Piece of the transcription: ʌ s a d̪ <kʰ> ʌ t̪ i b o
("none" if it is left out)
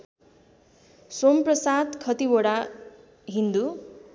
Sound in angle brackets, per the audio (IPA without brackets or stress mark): kʰ